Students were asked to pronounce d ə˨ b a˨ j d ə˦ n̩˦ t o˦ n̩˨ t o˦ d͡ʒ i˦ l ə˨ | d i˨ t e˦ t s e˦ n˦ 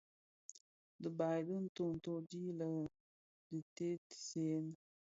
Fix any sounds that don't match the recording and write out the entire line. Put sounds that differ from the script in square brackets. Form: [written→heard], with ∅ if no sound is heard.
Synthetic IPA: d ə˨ b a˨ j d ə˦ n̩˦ t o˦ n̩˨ t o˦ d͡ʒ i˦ l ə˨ | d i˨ t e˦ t s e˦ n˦